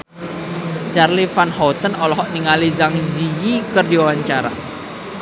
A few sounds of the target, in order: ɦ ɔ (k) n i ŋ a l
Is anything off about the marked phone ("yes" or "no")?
yes